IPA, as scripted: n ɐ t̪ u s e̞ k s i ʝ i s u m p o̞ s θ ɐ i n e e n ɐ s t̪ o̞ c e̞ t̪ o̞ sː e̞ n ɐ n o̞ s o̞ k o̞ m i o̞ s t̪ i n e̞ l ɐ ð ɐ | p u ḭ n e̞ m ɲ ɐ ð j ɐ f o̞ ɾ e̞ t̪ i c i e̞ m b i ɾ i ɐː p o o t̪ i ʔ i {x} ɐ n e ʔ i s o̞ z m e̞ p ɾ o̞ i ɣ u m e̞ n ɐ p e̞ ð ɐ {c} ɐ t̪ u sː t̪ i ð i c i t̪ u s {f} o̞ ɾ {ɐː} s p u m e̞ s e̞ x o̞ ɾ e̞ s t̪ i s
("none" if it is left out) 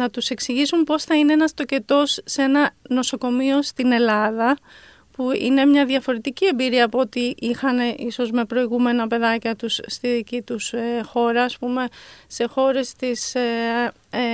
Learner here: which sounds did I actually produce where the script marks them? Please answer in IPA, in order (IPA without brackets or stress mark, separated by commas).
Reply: x, c, x, ɐː